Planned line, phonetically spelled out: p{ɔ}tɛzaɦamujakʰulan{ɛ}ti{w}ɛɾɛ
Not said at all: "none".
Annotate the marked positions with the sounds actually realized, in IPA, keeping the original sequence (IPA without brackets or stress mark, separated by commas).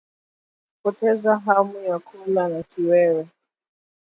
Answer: ɔ, a, w